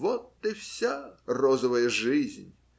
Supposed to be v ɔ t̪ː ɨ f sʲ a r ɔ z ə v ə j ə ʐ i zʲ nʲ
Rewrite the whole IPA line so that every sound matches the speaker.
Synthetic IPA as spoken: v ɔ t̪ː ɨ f sʲ a r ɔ z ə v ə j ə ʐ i zʲ nʲ